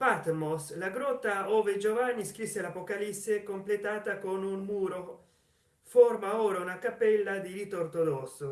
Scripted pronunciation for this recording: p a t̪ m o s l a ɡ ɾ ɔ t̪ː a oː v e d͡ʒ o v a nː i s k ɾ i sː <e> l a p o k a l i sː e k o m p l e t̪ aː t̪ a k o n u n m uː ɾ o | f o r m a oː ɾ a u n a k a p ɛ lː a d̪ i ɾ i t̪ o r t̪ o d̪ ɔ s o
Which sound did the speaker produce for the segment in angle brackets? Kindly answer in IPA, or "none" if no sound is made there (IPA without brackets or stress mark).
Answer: e